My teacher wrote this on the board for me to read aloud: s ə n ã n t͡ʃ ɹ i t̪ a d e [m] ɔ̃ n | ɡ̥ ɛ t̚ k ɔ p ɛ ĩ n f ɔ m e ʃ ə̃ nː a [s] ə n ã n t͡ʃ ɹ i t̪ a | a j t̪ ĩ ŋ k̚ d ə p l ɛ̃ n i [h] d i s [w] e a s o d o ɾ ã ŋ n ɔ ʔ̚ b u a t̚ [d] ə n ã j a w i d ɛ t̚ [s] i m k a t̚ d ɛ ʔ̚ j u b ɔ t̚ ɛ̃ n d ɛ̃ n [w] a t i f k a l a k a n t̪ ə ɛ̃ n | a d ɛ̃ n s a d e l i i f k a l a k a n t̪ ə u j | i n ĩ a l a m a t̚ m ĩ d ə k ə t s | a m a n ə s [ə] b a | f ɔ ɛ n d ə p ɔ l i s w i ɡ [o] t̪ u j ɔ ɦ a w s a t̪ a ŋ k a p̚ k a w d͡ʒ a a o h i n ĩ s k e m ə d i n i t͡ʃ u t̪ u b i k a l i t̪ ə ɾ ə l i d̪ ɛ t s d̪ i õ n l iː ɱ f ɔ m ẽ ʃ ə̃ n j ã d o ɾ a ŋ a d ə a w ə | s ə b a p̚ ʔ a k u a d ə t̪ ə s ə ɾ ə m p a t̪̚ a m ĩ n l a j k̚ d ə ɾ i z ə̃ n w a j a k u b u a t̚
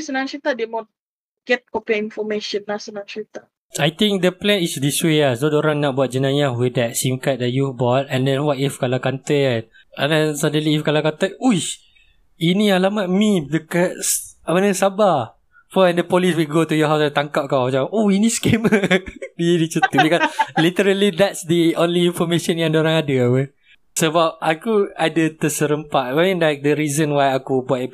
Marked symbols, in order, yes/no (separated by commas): yes, yes, no, yes, no, yes, yes, no, yes